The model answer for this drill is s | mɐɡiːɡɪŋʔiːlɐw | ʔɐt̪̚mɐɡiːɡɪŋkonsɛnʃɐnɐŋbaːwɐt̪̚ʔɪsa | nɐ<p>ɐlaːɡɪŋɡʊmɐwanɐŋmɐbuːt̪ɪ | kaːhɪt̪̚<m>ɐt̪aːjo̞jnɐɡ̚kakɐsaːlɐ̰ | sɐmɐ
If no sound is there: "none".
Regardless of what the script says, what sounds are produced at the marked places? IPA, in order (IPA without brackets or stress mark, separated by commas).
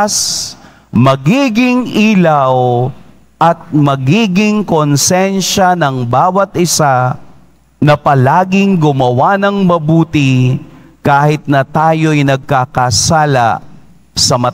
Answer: p, n